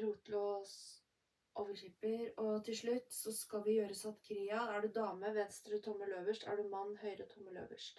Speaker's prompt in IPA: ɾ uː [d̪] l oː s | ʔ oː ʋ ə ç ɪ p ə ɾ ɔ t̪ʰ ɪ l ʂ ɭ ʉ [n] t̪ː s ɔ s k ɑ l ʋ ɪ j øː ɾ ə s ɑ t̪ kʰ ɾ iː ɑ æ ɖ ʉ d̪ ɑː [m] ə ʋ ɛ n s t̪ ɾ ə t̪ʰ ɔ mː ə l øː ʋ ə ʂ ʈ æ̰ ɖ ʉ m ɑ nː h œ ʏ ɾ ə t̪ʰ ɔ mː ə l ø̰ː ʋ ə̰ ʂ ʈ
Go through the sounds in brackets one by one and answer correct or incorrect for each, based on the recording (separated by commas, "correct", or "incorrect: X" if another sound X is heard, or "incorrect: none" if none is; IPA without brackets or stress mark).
incorrect: t̪, incorrect: none, correct